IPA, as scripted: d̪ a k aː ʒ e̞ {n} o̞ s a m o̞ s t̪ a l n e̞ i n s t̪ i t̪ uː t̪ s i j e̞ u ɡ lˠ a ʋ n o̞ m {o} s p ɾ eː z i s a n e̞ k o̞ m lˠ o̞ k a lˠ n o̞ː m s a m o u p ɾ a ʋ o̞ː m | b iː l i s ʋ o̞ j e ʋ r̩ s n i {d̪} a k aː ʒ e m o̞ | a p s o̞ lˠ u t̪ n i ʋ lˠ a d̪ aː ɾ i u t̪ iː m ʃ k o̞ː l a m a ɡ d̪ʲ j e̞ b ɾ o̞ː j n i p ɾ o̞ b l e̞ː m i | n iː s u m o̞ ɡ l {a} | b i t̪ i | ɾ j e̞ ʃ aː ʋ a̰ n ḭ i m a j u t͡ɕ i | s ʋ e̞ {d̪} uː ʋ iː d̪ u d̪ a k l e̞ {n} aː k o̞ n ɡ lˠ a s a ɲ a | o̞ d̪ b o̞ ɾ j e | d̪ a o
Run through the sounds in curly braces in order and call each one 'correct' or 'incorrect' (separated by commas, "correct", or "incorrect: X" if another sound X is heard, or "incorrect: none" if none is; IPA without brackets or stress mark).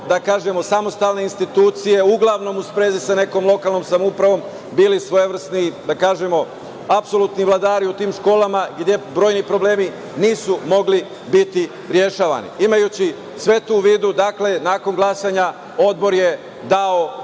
incorrect: m, incorrect: u, correct, incorrect: i, incorrect: t̪, correct